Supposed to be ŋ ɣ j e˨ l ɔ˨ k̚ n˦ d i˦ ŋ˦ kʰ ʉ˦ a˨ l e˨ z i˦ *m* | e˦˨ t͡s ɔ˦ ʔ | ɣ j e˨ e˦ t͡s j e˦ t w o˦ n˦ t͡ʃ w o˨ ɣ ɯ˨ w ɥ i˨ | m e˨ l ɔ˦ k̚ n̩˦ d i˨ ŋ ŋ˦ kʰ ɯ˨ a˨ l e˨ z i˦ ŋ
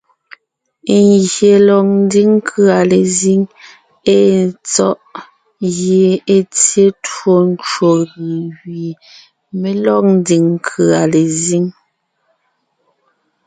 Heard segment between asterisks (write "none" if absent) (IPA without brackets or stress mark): ŋ